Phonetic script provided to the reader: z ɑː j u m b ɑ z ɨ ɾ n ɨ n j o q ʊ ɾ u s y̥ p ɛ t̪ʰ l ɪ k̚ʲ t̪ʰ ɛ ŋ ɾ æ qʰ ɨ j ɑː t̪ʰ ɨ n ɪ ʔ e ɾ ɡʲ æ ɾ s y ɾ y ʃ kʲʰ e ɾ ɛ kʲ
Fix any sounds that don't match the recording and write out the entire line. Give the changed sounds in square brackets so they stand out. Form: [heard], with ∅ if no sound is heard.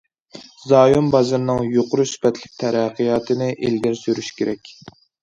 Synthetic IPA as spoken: z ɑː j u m b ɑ z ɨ ɾ n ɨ [ŋ] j o q ʊ ɾ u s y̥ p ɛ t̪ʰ l ɪ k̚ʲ t̪ʰ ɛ [∅] ɾ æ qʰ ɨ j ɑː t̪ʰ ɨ n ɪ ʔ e [l] ɡʲ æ ɾ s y ɾ y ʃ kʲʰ e ɾ ɛ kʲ